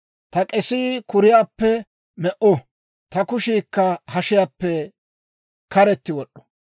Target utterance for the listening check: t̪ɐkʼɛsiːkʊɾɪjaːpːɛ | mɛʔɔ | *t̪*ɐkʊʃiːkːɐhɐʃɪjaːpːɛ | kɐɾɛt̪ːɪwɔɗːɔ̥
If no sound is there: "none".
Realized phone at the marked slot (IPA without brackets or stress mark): t̪